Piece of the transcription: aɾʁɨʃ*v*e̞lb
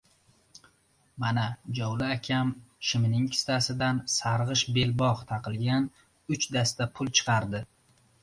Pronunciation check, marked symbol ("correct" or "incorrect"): incorrect